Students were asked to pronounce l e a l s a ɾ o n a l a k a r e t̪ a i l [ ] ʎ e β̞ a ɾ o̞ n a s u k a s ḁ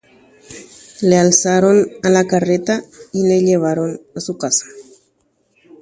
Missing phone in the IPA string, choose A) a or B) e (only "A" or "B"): B